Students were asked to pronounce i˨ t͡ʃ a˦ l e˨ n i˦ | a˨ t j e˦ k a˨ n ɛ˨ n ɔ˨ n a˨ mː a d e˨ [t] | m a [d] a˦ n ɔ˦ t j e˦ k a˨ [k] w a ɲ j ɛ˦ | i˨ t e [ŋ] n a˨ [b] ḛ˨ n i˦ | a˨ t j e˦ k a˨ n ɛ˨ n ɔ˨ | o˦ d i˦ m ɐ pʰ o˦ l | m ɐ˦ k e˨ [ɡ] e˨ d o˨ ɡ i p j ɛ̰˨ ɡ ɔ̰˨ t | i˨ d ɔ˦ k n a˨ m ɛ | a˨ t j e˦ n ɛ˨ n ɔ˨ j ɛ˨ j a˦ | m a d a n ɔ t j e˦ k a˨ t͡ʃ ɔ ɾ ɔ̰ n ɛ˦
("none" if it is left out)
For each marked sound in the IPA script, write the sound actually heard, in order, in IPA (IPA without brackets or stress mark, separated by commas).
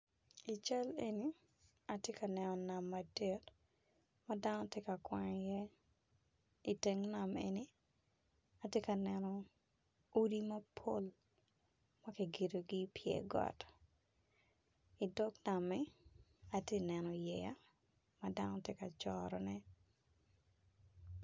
t, d, k, ŋ, m, ɡ